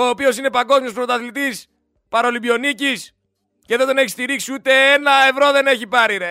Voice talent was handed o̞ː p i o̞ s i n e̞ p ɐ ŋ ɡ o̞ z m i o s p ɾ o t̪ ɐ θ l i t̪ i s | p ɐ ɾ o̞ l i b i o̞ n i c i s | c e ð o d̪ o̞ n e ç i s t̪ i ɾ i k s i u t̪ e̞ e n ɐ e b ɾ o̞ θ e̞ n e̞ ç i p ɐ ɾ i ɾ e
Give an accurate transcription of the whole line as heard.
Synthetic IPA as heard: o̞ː p i o̞ s i n e̞ p ɐ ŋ ɡ o̞ z m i o s p ɾ o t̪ ɐ θ l i t̪ i s | p ɐ ɾ o̞ l i b i o̞ n i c i s | c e ð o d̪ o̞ n e ç i s t̪ i ɾ i k s i u t̪ e̞ e n ɐ e v ɾ o̞ ð e̞ n e̞ ç i p ɐ ɾ i ɾ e